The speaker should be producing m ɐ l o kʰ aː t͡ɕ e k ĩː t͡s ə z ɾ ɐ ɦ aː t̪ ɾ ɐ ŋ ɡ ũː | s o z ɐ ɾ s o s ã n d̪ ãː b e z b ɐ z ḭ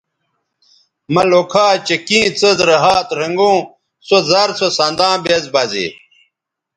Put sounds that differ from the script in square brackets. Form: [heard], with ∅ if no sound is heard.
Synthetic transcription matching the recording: m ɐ l o kʰ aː t͡ɕ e k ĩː t͡s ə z ɾ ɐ ɦ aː t̪ ɾ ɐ ŋ ɡ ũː | s o z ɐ ɾ s o s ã n d̪ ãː b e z b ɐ z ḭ